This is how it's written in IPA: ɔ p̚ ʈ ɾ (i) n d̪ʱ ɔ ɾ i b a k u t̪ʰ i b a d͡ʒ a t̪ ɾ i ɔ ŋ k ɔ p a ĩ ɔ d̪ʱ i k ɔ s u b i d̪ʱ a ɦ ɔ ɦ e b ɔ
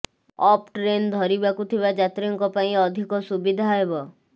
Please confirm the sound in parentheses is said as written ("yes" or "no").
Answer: no